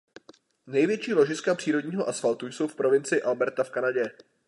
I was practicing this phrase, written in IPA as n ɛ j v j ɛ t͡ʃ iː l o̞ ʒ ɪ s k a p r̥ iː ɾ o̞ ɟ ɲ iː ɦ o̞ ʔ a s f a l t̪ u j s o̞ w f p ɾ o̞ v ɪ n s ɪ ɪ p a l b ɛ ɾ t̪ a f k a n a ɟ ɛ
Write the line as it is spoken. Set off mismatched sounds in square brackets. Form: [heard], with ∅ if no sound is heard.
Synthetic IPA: n ɛ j v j ɛ t͡ʃ iː l o̞ ʒ ɪ s k a p r̥ iː ɾ o̞ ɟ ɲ iː ɦ o̞ ʔ a s f a l t̪ u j s o̞ w f p ɾ o̞ v ɪ n [t͡s] ɪ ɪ [ʔ] a l b ɛ ɾ t̪ a f k a n a ɟ ɛ